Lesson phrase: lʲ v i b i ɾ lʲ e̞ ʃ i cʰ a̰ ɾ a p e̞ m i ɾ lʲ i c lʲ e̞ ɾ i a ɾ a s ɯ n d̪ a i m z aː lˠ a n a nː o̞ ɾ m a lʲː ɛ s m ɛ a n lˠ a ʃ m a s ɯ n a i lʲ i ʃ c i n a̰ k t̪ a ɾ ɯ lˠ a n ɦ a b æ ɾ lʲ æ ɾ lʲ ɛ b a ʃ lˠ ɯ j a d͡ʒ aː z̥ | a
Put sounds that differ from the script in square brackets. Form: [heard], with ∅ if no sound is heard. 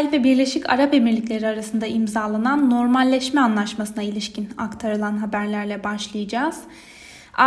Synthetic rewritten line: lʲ v [ɛ] b i ɾ lʲ e̞ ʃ i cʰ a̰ ɾ a p e̞ m i ɾ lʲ i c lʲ e̞ ɾ i a ɾ a s ɯ n d̪ a i m z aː lˠ a n a nː o̞ ɾ m a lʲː ɛ [ʃ] m ɛ a n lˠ a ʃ m a s ɯ n a i lʲ i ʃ c i n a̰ k [t̪ʰ] a ɾ ɯ lˠ a n ɦ a b æ ɾ lʲ æ ɾ lʲ ɛ b a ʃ lˠ ɯ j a d͡ʒ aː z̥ | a